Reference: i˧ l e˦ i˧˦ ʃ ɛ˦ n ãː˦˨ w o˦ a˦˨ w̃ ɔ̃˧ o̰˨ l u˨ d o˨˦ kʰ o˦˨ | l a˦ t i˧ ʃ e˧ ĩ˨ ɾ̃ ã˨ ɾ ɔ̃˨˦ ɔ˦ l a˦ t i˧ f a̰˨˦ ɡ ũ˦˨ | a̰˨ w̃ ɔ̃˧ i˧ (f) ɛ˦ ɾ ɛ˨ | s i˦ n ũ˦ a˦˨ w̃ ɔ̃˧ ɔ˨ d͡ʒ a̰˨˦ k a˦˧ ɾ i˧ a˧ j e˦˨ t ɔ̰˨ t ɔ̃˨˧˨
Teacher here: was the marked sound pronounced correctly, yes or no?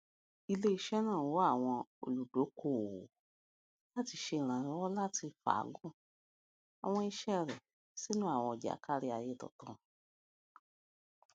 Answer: no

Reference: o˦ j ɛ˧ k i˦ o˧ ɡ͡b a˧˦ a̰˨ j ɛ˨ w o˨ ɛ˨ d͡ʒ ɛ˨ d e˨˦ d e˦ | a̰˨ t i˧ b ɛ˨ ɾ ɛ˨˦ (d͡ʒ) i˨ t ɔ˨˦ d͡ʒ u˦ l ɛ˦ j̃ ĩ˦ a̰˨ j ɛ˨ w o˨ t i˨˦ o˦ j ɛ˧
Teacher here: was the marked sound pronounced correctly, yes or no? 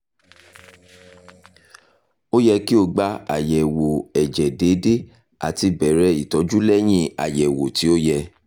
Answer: no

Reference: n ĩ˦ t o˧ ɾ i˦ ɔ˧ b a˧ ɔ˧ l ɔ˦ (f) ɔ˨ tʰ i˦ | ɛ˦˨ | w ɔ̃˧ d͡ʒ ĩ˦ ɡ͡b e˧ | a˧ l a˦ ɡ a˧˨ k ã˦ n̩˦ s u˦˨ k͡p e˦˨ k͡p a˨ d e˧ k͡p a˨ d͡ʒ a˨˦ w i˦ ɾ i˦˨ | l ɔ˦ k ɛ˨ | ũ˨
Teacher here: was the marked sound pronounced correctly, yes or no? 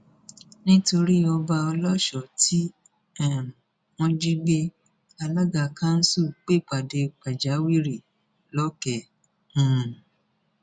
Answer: no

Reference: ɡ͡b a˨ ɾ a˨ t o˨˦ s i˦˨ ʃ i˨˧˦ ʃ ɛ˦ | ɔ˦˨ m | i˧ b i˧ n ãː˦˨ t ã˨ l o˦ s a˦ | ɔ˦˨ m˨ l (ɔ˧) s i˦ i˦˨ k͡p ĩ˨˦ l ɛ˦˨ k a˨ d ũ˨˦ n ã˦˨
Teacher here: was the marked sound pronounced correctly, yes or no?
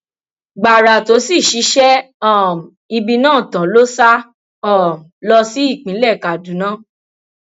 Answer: yes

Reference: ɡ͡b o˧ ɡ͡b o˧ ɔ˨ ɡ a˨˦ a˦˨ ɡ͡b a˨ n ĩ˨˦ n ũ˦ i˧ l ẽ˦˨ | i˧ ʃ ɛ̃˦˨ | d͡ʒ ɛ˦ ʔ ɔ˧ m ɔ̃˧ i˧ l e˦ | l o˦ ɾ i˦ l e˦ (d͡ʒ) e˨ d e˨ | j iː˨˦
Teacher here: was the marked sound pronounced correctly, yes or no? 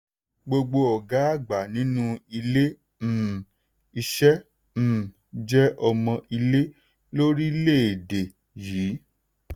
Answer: no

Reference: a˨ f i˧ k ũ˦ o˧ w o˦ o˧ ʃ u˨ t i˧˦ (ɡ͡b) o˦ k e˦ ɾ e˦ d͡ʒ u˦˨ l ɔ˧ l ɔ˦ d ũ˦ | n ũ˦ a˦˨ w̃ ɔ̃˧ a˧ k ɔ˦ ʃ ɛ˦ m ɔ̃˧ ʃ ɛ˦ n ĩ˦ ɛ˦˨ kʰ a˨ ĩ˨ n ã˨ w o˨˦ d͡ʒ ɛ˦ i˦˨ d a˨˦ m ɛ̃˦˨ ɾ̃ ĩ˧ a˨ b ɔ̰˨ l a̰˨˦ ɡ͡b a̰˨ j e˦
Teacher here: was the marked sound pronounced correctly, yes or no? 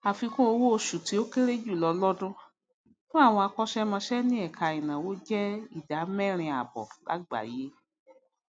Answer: no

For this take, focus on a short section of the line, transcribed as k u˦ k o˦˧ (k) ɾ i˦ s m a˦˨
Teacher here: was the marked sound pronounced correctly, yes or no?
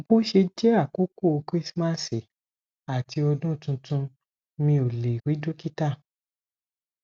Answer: yes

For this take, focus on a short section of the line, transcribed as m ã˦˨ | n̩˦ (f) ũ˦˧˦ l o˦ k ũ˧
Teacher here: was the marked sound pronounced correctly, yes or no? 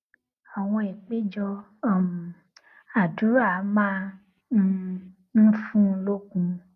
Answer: yes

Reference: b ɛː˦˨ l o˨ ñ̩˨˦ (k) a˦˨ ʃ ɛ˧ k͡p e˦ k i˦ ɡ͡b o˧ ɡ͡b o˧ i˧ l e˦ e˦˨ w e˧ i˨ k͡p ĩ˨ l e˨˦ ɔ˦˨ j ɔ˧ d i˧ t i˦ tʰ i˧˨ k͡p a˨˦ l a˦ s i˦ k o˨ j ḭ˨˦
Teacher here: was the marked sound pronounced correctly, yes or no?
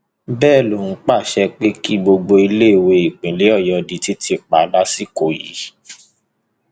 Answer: no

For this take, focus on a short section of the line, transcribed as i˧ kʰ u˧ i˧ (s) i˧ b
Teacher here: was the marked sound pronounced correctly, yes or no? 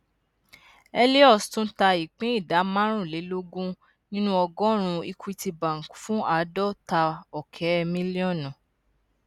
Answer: no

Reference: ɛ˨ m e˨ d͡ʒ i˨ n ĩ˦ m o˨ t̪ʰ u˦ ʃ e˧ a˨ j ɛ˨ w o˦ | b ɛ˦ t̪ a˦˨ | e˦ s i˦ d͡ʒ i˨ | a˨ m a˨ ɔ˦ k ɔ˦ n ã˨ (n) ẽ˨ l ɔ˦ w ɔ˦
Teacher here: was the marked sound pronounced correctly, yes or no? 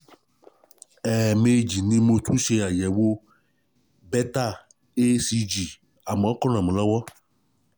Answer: no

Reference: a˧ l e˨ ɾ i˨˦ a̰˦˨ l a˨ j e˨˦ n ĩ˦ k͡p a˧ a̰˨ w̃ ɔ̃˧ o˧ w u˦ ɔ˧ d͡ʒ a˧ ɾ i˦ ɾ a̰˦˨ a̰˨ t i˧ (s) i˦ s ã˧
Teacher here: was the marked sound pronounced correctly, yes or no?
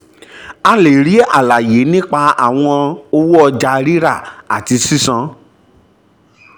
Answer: yes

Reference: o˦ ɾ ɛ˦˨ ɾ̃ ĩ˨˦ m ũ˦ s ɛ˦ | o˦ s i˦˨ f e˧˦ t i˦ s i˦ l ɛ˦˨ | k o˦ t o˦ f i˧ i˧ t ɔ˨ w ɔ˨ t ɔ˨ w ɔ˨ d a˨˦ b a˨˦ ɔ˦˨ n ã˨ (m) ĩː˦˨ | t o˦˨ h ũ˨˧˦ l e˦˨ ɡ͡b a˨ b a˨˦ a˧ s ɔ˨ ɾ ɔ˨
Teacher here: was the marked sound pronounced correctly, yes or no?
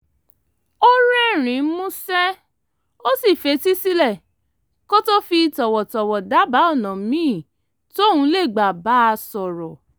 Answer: yes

